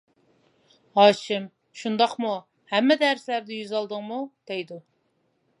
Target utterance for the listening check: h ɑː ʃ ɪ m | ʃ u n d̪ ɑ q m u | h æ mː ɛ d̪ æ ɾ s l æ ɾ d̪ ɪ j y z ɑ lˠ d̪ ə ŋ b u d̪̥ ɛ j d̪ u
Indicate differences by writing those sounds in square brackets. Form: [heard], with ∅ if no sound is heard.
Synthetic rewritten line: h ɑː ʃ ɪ m | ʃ u n d̪ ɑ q m u | h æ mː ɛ d̪ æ ɾ s l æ ɾ d̪ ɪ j y z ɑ lˠ d̪ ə ŋ [m] u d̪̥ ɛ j d̪ u